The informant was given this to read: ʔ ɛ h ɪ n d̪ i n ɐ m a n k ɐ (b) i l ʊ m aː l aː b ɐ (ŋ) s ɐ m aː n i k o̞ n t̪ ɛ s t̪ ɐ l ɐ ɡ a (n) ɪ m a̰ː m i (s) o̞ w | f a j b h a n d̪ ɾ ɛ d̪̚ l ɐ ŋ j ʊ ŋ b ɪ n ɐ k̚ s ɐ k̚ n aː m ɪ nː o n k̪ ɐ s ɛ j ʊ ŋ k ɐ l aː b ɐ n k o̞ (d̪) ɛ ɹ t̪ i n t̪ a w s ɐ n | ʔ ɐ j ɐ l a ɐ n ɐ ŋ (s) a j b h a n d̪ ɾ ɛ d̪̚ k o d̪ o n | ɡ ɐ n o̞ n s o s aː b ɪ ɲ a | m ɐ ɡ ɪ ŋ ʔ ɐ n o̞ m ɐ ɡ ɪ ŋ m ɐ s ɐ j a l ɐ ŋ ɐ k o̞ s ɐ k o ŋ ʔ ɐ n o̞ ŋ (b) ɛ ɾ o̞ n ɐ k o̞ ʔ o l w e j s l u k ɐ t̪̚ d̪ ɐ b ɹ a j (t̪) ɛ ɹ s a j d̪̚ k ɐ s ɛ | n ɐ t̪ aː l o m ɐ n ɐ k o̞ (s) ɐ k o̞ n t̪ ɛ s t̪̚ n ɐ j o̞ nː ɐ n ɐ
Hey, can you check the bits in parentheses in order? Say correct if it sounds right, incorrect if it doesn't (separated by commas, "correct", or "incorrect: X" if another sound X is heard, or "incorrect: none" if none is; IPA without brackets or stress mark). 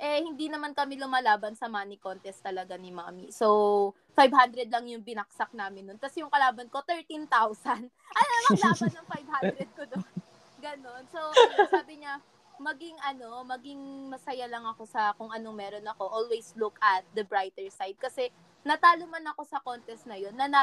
incorrect: m, incorrect: n, correct, correct, incorrect: t̪, incorrect: f, incorrect: m, correct, correct